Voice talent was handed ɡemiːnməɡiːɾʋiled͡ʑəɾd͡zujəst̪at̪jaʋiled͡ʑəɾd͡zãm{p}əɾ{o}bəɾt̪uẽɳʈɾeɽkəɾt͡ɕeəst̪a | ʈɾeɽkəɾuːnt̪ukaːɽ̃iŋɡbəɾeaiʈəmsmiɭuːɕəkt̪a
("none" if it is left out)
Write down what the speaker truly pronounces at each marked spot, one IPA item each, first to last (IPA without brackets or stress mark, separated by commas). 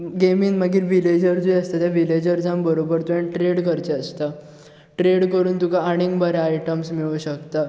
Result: b, o